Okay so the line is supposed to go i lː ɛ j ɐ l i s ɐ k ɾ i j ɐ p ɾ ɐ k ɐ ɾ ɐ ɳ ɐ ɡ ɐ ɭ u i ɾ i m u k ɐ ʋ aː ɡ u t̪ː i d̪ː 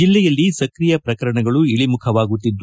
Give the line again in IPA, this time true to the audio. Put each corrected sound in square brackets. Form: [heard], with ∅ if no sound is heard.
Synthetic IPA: i lː ɛ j ɐ [lː] i s ɐ k ɾ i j ɐ p ɾ ɐ k ɐ ɾ ɐ ɳ ɐ ɡ ɐ ɭ u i [ɭ] i m u [kʰ] ɐ ʋ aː ɡ u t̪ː i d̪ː